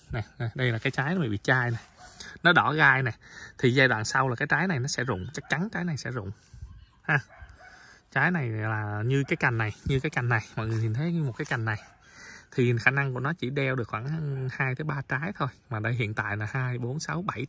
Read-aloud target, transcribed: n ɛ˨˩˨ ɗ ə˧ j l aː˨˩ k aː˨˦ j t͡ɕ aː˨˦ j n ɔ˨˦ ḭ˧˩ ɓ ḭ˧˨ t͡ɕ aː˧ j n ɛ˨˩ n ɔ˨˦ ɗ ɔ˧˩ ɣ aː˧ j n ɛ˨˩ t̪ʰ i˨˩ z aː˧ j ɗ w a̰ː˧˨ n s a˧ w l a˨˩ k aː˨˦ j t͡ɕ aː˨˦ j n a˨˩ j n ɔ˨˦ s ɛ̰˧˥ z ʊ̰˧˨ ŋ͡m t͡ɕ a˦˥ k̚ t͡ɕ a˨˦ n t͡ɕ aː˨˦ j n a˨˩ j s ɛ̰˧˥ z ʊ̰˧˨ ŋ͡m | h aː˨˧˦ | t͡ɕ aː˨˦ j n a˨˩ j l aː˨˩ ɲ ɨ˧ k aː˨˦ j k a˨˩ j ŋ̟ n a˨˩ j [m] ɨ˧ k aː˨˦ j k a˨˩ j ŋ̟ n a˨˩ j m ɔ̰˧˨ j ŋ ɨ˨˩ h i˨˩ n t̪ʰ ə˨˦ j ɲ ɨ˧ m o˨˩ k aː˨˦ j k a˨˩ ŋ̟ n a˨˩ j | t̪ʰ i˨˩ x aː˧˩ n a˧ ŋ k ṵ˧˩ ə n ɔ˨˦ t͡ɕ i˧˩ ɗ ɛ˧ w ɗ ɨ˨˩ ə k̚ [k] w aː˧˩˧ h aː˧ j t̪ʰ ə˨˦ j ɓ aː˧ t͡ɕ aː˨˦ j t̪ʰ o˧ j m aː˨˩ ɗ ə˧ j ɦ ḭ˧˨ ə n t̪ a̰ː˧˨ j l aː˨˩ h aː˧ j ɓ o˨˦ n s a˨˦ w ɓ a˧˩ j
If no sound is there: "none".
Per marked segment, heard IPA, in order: ɲ, x

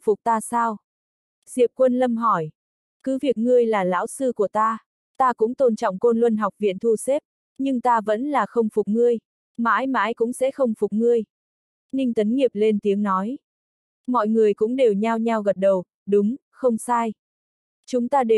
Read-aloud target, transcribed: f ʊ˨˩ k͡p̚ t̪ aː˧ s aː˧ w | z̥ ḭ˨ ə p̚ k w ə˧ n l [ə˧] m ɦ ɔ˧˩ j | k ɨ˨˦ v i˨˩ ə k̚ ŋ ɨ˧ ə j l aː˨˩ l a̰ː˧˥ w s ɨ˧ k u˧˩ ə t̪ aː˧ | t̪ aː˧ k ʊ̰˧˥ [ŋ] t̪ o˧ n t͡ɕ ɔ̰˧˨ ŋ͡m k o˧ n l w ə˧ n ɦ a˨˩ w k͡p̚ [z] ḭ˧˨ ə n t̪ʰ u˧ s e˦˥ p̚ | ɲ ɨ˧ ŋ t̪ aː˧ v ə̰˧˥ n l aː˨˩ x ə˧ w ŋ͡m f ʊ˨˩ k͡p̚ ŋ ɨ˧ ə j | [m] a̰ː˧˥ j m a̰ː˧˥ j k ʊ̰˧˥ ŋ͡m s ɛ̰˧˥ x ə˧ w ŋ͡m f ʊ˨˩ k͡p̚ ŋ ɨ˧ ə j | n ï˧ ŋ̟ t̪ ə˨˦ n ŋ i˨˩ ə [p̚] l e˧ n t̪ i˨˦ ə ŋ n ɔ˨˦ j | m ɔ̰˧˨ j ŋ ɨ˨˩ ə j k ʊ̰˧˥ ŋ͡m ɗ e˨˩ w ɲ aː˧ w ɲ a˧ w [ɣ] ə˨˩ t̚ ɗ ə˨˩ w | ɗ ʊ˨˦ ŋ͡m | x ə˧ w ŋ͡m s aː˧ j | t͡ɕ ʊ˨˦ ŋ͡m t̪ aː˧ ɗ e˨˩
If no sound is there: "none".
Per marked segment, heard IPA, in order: ə˧, ŋ͡m, v, m, p̚, ɣ

